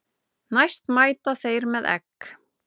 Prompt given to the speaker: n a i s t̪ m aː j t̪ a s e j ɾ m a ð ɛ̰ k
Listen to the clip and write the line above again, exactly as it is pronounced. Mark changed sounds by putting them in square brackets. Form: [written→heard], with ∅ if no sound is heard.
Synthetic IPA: n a [i→j] s t̪ m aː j t̪ a [s→θ] e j ɾ m [a→ɛ] ð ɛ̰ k